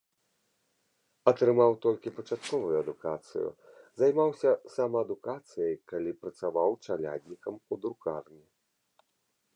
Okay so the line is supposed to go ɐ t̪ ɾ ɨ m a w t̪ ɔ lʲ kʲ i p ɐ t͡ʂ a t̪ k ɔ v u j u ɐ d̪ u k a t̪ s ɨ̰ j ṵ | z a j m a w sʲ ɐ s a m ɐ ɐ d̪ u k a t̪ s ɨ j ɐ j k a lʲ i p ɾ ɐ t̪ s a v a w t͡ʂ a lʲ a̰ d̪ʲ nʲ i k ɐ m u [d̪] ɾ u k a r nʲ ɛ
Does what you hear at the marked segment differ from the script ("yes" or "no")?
no